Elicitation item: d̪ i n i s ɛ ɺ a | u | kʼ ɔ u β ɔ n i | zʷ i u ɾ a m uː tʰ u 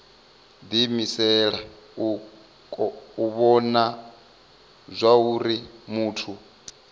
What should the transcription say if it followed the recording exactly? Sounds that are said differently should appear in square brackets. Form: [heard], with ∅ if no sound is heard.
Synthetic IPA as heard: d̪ i [m] i s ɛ ɺ a | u | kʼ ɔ u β ɔ n [a] | zʷ [a] u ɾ [i] m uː tʰ u